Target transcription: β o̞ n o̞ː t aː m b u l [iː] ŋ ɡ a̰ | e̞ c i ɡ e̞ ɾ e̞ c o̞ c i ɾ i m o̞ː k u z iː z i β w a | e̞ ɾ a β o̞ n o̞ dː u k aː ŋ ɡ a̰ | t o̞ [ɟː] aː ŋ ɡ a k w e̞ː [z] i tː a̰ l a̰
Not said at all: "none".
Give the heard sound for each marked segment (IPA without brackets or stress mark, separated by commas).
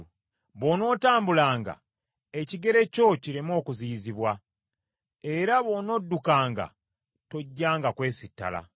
aː, ɟː, s